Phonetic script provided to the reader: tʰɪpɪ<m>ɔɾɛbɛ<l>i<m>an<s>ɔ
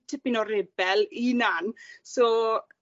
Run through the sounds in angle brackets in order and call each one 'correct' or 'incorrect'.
incorrect: n, correct, incorrect: n, correct

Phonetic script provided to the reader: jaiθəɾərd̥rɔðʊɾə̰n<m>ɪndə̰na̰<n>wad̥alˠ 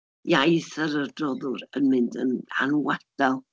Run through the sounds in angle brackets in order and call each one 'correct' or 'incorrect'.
correct, correct

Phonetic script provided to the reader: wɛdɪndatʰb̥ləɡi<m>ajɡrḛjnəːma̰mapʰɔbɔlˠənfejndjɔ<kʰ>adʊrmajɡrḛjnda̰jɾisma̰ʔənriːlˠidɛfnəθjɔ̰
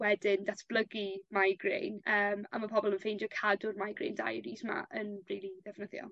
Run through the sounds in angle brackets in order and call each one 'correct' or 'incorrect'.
correct, correct

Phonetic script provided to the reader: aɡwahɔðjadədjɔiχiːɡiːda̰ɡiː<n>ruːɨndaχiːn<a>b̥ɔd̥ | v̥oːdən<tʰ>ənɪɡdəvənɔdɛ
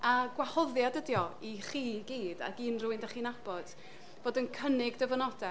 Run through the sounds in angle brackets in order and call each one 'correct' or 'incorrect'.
correct, correct, incorrect: kʰ

